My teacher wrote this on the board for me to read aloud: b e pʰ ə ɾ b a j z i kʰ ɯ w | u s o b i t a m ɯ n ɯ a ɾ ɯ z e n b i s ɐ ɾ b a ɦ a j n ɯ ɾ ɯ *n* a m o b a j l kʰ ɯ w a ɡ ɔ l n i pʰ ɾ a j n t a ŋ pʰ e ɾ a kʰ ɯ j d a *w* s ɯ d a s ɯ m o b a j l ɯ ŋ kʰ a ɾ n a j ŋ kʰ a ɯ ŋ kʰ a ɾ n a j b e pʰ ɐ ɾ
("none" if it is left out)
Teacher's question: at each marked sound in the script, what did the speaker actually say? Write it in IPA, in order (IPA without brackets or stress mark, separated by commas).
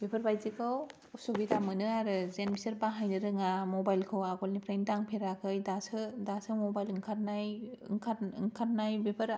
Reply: ŋ, none